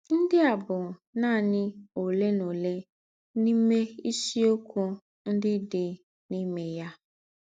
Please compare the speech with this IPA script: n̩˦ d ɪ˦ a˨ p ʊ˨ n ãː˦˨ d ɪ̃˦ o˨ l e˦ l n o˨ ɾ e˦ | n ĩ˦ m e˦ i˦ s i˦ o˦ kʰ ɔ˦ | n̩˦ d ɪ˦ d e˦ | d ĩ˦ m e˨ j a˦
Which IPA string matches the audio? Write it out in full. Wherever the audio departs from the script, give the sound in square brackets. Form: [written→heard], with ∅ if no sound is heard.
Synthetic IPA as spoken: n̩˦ d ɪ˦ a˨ [p→b] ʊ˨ n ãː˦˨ [d→n] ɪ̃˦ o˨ l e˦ [l→∅] n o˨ [ɾ→l] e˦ | n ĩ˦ m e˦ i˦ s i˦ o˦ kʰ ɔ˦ | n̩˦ d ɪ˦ d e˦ | [d→n] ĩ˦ m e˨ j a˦